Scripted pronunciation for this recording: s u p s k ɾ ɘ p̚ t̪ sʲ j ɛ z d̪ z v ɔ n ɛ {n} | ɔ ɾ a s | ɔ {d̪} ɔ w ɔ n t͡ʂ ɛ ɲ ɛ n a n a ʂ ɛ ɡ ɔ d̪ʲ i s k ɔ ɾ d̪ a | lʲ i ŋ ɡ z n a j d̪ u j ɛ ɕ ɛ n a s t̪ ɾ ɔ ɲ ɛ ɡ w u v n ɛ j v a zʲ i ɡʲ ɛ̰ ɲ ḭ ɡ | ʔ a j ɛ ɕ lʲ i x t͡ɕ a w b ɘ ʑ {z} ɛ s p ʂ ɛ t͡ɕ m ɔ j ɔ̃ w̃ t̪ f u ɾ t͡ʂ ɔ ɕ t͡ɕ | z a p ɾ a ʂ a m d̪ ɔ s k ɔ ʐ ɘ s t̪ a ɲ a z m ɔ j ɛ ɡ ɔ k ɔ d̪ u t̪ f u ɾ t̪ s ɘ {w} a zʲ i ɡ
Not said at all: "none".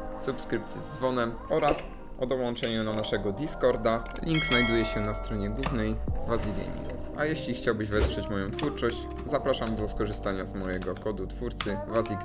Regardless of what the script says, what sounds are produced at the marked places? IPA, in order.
m, d̪, v, v

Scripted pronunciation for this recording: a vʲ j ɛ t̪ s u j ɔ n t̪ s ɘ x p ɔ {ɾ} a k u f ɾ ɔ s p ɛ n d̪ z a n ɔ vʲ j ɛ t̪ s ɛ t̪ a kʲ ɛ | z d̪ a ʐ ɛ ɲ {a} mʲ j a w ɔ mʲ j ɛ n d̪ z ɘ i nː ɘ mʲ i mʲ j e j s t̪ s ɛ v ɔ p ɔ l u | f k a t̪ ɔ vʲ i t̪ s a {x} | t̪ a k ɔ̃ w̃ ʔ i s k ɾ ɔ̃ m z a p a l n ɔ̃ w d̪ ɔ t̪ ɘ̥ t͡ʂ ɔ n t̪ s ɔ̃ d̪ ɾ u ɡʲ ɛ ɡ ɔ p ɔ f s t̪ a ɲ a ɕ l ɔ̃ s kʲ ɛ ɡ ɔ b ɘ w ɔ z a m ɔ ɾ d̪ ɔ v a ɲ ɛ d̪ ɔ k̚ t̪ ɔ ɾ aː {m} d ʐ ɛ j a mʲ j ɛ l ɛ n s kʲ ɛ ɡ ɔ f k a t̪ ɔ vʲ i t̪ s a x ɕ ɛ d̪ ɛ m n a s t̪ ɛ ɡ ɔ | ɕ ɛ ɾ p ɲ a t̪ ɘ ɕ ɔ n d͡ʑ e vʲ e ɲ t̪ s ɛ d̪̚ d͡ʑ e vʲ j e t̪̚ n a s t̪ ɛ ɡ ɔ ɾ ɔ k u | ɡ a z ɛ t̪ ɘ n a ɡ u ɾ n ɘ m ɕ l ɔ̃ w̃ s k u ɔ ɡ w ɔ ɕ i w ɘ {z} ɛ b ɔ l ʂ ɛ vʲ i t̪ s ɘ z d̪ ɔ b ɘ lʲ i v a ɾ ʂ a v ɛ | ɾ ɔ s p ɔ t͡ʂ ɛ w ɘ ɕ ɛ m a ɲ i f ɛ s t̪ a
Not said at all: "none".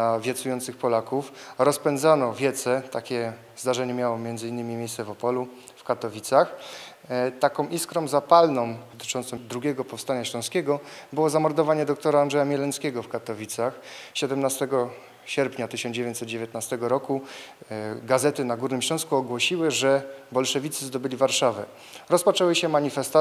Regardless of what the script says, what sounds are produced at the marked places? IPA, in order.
l, ɛ, x, n, ʐ

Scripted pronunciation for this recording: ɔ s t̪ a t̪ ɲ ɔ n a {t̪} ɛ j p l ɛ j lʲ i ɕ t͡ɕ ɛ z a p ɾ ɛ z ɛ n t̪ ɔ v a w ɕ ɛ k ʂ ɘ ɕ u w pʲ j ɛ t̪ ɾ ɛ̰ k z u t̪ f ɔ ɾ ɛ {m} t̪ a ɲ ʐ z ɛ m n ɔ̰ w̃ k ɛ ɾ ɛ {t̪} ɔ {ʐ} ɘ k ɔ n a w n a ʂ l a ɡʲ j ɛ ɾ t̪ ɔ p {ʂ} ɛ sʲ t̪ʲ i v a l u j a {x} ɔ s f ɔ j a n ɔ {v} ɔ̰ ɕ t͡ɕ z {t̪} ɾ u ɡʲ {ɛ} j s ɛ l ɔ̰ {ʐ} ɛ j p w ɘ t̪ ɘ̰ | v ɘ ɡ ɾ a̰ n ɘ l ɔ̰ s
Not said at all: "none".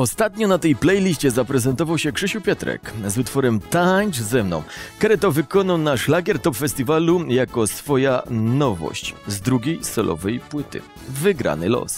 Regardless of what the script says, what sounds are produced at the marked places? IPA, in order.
t̪, m, t̪, v, f, k, v, d̪, e, v

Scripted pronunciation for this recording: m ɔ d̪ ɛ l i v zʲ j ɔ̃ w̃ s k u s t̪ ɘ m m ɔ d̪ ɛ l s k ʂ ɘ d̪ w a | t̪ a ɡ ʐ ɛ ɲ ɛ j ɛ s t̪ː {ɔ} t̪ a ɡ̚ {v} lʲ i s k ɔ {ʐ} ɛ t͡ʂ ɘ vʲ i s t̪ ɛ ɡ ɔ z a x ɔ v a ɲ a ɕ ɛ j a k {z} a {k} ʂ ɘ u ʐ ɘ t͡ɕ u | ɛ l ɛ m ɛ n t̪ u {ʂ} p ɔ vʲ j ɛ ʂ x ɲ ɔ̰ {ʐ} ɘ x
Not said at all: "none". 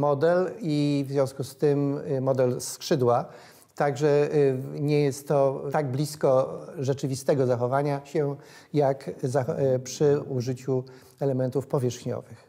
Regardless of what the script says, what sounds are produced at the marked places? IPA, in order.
ɔ, b, ʐ, z, p, f, v

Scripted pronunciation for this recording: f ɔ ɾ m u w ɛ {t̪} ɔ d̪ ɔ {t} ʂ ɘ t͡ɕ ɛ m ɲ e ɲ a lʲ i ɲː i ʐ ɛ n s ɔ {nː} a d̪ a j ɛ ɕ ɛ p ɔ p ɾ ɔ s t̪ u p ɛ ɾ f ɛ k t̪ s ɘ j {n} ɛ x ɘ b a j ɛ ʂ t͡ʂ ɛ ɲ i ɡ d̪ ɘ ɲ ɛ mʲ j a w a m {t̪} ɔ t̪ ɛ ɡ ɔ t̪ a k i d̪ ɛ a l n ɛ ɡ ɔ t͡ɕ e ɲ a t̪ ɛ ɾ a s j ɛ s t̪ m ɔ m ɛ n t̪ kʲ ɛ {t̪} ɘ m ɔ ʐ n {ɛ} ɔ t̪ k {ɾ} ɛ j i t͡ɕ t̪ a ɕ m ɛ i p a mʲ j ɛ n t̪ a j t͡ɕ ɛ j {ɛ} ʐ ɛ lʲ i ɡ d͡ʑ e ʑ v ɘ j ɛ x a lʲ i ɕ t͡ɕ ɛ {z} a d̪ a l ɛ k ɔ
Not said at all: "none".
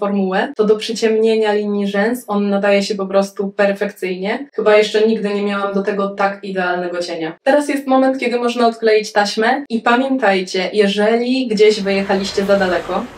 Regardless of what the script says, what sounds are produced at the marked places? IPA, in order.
t̪, p, nː, ɲ, d̪, d̪, a, l, ɛ, z

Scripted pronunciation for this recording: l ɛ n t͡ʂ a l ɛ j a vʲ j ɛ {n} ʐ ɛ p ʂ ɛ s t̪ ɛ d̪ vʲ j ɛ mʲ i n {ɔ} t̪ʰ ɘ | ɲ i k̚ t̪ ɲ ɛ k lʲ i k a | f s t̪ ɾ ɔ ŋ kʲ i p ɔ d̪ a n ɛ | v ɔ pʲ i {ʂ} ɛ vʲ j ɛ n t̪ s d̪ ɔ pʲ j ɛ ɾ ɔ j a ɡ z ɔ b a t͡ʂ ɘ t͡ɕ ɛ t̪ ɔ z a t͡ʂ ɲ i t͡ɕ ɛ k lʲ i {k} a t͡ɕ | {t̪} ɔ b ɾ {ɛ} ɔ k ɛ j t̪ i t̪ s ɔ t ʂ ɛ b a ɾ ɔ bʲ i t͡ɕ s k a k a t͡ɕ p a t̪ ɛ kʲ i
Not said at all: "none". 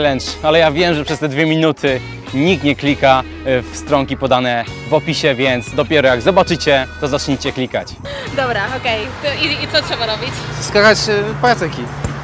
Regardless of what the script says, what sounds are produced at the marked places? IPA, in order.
m, u, ɕ, k, d̪, a

